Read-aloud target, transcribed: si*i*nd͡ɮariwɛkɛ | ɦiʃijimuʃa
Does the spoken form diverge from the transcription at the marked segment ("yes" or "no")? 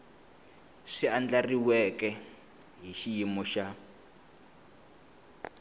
yes